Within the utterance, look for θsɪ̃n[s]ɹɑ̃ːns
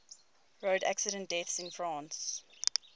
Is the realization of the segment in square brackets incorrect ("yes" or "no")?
yes